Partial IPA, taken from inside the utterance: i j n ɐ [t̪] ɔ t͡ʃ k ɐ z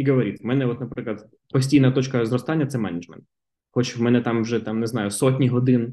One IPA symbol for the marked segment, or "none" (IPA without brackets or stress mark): t̪